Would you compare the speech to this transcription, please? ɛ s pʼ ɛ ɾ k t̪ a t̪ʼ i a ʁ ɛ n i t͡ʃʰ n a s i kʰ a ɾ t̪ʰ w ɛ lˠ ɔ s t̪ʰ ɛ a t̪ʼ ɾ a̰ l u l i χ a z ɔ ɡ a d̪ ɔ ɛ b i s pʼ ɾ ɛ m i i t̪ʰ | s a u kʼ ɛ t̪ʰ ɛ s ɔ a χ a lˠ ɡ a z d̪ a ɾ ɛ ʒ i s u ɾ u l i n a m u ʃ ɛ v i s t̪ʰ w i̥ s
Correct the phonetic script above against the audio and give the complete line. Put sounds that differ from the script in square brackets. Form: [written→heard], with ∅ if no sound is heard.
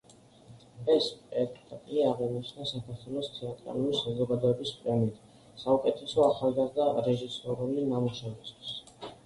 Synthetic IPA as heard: ɛ s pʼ ɛ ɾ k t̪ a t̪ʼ i a ʁ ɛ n i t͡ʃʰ n a s [i→a] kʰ a ɾ t̪ʰ w ɛ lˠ ɔ s t̪ʰ ɛ a t̪ʼ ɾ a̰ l u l i [χ→s] a z ɔ ɡ a d̪ ɔ ɛ b i s pʼ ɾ ɛ m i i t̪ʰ | s a u kʼ ɛ t̪ʰ ɛ s ɔ a χ a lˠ ɡ a z d̪ a ɾ ɛ ʒ i s [u→ɔ] ɾ u l i n a m u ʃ ɛ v i s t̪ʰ w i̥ s